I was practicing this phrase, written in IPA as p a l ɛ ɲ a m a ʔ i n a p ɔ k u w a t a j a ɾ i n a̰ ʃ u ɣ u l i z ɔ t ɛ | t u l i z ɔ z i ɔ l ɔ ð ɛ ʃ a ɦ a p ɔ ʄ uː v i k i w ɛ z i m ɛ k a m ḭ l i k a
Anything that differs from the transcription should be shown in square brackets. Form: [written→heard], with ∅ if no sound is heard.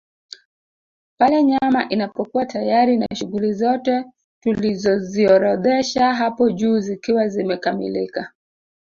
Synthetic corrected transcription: p a l ɛ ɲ a m a ʔ i n a p ɔ k u w a t a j a ɾ i n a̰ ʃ u ɣ u l i z ɔ t ɛ | t u l i z ɔ z i ɔ [l→ɾ] ɔ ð ɛ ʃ a ɦ a p ɔ ʄ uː [v→z] i k i w [ɛ→a] z i m ɛ k a m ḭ l i k a